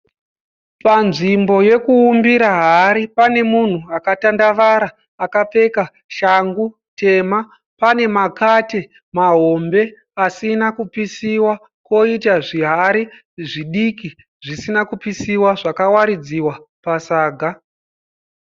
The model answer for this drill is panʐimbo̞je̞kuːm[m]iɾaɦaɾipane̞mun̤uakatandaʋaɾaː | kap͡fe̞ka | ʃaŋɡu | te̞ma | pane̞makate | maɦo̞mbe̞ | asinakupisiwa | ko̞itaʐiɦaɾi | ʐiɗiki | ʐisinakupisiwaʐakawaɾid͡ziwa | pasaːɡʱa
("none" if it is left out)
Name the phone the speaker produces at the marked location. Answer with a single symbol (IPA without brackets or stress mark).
b